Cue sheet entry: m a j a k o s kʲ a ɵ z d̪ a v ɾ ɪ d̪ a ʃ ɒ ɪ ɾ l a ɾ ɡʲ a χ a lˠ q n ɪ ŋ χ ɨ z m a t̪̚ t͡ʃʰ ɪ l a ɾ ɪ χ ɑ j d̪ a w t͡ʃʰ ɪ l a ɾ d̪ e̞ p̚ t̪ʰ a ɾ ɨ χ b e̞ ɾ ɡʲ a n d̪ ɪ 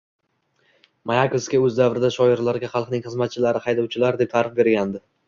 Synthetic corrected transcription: m a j a k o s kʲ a ɵ z d̪ a v ɾ ɪ d̪ a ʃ ɒ ɪ ɾ l a ɾ ɡʲ a χ ɑ lˠ q n ɪ ŋ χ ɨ z m a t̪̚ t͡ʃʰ ɪ l a ɾ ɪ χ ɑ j d̪ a w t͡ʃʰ ɪ l a ɾ d̪ e̞ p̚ t̪ʰ a ɾ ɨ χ b e̞ ɾ ɡʲ a n d̪ ɪ

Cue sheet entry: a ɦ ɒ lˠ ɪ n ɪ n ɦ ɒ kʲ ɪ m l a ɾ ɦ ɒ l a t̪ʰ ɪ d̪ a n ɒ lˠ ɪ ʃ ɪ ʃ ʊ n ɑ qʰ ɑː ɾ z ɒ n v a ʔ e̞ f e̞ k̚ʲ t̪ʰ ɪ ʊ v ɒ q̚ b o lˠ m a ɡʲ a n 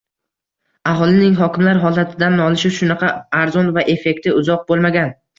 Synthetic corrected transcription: a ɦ ɒ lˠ ɪ n ɪ ŋ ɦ ɒ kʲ ɪ m l a ɾ ɦ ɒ l a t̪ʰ ɪ d̪ a n ɒ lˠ ɪ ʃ ɪ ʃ ʊ n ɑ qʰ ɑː ɾ z ɒ n v a ʔ e̞ f e̞ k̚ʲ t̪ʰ ɪ ʊ z ɒ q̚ b o lˠ m a ɡʲ a n

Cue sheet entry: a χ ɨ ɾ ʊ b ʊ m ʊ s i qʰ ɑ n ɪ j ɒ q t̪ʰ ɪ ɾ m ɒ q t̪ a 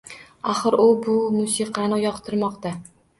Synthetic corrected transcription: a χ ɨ ɾ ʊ b ʊ m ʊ s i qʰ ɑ n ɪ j ɒ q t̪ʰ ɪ ɾ m ɒ q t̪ a

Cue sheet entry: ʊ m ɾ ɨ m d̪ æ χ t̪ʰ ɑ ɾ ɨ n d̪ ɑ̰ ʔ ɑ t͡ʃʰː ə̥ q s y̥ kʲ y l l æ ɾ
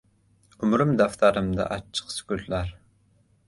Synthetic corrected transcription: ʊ m ɾ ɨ m d̪ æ f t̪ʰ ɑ ɾ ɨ m d̪ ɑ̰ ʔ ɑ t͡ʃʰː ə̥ q s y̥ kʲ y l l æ ɾ

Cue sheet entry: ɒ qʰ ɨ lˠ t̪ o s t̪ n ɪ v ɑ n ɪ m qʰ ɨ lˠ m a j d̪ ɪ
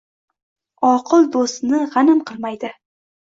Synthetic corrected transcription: ɒ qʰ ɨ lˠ d̪ o s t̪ n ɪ ʁ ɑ n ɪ m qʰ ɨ lˠ m a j d̪ ɪ

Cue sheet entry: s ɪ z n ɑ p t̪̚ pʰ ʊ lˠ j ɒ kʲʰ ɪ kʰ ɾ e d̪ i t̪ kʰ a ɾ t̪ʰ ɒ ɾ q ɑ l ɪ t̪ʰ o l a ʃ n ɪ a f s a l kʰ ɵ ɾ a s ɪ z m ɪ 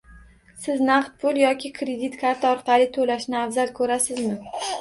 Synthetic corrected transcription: s ɪ z n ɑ q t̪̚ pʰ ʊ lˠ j ɒ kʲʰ ɪ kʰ ɾ e d̪ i t̪ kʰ a ɾ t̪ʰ ɒ ɾ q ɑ l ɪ t̪ʰ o l a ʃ n ɪ a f z a l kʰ ɵ ɾ a s ɪ z m ɪ

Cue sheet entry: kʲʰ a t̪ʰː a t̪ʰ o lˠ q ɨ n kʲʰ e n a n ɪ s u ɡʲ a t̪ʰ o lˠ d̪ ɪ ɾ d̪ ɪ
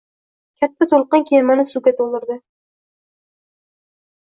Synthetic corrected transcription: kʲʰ a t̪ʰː a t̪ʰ o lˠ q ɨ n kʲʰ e m a n ɪ s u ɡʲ a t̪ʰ o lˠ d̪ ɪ ɾ d̪ ɪ

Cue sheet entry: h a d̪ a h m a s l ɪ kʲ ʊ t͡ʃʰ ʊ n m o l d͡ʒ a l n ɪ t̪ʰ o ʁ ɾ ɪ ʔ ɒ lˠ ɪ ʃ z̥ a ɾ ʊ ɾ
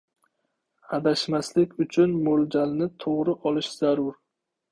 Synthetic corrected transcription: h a d̪ a ʃ m a s l ɪ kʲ ʊ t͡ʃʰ ʊ n m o l d͡ʒ a l n ɪ t̪ʰ o ʁ ɾ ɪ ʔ ɒ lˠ ɪ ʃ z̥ a ɾ ʊ ɾ

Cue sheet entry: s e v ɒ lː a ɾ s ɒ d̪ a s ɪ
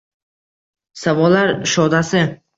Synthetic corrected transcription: s a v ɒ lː a ɾ ʃ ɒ d̪ a s ɪ

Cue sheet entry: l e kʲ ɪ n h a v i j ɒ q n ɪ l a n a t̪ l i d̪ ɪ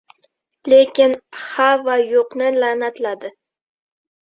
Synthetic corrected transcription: l e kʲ ɪ n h a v a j o q n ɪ l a n a t̪ l a d̪ ɪ

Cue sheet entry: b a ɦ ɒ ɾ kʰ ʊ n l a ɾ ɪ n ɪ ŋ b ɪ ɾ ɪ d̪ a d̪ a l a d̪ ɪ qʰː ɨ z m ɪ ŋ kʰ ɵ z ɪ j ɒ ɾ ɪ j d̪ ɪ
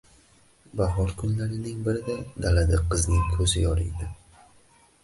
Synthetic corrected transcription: b a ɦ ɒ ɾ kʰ ʊ n l a ɾ ɪ n ɪ ŋ b ɪ ɾ ɪ d̪ a d̪ a l a d̪ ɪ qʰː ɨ z n ɪ ŋ kʰ ɵ z ɪ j ɒ ɾ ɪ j d̪ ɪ

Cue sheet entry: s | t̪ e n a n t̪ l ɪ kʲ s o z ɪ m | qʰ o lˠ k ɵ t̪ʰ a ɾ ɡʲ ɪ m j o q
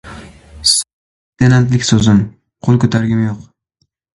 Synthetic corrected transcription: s | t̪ e n a n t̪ l ɪ kʲ s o z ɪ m | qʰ o lˠ k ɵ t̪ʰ a ɾ ɡʲ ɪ m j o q

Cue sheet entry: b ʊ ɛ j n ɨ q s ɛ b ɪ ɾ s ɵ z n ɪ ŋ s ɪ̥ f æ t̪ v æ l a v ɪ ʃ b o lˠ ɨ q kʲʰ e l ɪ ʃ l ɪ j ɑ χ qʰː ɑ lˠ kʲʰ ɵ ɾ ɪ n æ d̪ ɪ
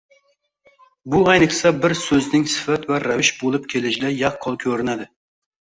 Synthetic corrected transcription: b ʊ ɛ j n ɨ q s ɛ b ɪ ɾ s ɵ z n ɪ ŋ s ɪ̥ f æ t̪ v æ ɾ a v ɪ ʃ b o lˠ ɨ p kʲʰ e l ɪ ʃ l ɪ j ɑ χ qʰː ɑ lˠ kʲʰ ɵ ɾ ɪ n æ d̪ ɪ

